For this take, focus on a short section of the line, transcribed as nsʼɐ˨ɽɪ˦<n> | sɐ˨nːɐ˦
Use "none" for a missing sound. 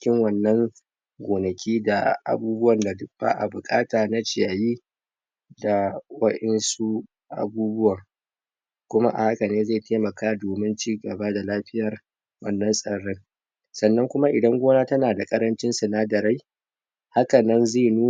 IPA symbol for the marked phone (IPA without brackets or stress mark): ŋ